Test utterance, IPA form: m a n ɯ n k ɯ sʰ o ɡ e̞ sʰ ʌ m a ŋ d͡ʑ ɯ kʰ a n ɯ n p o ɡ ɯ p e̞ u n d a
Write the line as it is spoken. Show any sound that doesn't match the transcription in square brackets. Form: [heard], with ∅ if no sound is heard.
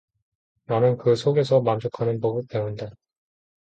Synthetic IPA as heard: [n] a n ɯ n k ɯ sʰ o ɡ e̞ sʰ ʌ m a [m] d͡ʑ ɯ kʰ a n ɯ n p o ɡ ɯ p e̞ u n d a